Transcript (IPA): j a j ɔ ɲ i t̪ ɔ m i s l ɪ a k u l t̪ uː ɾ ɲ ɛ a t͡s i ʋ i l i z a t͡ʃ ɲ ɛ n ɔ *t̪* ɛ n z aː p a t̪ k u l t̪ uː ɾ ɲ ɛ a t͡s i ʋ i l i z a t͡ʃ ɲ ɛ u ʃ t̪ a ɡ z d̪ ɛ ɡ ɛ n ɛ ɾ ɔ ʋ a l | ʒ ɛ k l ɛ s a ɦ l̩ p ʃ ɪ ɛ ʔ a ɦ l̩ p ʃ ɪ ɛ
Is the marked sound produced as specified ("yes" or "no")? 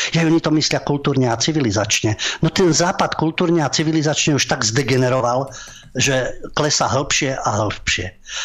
yes